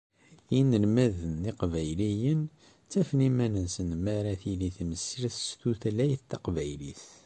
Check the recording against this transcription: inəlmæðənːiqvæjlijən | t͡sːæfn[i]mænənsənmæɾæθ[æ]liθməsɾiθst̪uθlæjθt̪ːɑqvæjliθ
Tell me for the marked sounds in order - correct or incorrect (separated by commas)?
correct, incorrect